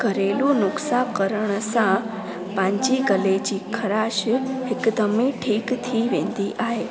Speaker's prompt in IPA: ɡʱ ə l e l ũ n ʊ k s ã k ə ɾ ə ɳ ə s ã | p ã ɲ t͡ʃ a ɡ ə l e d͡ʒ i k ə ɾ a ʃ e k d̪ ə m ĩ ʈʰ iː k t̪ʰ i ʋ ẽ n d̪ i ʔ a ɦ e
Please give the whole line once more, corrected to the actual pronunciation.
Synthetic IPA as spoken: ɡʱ ə ɾ e l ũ n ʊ k s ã k ə ɾ ə ɳ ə s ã | p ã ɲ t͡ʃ i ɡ ə l e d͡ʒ i kʰ ə ɾ a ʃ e k d̪ ə m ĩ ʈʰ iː k t̪ʰ i ʋ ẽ n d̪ i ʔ a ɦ e